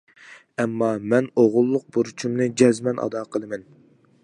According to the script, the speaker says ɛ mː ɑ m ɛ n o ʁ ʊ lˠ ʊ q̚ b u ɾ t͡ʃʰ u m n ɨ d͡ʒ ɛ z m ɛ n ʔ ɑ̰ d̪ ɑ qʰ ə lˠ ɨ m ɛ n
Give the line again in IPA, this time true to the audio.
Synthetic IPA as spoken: ɛ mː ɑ m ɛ n o ʁ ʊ lˠː ʊ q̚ b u ɾ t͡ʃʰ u m n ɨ d͡ʒ ɛ z m ɛ n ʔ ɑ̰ d̪ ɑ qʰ ə lˠ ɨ m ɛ n